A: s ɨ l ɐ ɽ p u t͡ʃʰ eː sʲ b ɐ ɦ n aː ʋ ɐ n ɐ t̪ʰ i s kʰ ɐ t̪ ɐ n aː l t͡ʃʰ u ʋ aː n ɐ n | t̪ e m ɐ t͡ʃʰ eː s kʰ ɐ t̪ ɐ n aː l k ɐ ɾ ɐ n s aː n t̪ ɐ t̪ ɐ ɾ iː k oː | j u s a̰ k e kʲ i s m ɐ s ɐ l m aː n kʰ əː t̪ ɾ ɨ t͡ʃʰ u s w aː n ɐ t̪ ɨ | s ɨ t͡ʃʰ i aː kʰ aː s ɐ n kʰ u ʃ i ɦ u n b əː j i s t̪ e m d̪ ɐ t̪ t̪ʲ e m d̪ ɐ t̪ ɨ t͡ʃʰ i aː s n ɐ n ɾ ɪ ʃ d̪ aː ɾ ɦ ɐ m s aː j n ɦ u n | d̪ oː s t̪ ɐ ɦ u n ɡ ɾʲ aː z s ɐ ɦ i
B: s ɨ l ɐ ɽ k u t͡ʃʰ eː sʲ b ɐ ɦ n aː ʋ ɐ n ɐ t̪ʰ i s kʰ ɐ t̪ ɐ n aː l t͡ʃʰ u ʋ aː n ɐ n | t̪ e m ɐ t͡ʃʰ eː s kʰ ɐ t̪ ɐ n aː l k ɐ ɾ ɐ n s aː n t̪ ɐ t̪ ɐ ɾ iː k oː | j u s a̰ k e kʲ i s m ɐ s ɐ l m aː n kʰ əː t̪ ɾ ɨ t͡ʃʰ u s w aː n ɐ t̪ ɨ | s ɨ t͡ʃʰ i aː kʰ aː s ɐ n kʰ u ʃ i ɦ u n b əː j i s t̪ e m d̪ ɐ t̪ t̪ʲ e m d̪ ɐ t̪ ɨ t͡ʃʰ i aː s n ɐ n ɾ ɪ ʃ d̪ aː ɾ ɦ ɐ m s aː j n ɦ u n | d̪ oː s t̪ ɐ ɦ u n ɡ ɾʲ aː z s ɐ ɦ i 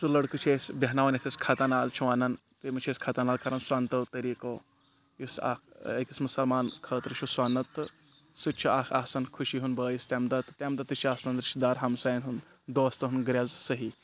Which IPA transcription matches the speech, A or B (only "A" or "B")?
B